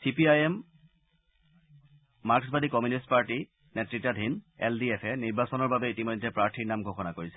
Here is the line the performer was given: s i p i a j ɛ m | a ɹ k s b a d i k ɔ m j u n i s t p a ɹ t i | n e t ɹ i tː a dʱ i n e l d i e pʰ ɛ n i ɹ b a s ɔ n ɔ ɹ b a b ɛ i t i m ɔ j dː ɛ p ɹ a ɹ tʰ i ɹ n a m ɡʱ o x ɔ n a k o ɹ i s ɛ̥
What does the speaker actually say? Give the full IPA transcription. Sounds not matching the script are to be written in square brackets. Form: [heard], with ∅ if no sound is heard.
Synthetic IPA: s i p i a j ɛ m | a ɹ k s b a d i k ɔ m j u n i s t p a ɹ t i | n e t ɹ i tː a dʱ i n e l d i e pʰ ɛ n i ɹ b a s ɔ n ɔ ɹ b a b ɛ i t i m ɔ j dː ɛ p ɹ a ɹ tʰ i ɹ n a m ɡʱ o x ɔ n a k o ɹ i s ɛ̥